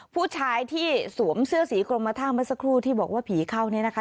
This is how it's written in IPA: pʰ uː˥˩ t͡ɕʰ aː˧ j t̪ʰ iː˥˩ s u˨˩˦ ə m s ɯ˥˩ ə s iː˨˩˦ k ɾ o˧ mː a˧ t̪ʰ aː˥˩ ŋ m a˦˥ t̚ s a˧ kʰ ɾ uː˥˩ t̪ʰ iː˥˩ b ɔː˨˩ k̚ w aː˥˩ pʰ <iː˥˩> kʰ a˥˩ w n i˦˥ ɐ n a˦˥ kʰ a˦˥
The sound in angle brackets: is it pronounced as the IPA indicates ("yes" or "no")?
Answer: no